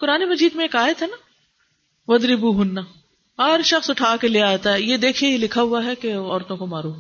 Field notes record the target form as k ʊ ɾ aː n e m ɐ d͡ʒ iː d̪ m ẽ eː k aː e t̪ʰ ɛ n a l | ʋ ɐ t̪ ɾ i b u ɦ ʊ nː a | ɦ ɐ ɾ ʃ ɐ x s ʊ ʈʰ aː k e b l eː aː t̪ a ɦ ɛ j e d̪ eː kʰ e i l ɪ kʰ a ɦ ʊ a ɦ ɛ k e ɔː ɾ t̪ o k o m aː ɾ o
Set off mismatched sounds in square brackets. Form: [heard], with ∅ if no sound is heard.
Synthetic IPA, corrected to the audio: k ʊ ɾ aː n e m ɐ d͡ʒ iː d̪ m ẽ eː k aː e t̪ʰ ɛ n a [∅] | ʋ ɐ [d̪] ɾ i b u ɦ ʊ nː a | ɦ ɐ ɾ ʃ ɐ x s ʊ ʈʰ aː k e [∅] l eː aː t̪ a ɦ ɛ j e d̪ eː kʰ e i l ɪ kʰ a ɦ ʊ a ɦ ɛ k e ɔː ɾ t̪ [õ] k o m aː ɾ o